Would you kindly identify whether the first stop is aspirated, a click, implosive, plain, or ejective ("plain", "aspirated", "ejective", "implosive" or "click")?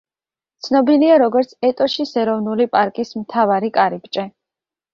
plain